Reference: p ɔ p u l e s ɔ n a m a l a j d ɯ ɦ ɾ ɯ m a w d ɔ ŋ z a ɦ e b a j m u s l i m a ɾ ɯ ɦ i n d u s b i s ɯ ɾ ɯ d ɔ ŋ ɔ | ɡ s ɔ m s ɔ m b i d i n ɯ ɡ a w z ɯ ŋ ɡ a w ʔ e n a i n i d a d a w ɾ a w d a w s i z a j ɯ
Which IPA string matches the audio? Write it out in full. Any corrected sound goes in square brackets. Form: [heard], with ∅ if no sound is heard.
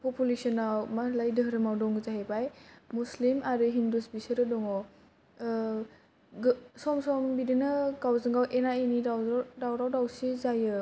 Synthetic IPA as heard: p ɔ p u l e s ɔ n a m a l a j d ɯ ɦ ɾ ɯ m a w d ɔ ŋ z a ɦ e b a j m u s l i m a ɾ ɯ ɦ i n d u s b i s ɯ ɾ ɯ d ɔ ŋ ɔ | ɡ s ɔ m s ɔ m b i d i n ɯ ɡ a w z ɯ ŋ ɡ a w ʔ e n a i n i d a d a w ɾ a w d a w s i z a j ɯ